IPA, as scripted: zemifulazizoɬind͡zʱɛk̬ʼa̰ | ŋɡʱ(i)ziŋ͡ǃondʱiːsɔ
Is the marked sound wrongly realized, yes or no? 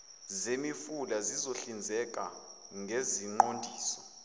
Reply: yes